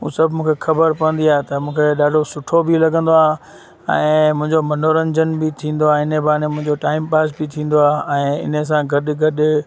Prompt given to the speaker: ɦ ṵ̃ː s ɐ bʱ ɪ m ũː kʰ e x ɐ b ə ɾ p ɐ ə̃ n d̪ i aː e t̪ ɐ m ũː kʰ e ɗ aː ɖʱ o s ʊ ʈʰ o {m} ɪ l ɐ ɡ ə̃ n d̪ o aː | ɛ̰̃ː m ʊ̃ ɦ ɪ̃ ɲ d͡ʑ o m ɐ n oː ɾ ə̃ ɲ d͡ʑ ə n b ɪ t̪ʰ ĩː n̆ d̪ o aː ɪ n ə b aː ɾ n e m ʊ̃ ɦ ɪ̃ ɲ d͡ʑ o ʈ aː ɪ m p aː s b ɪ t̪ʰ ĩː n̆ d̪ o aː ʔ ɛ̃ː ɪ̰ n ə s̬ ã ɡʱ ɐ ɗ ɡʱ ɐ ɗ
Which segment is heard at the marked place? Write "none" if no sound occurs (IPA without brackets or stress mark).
b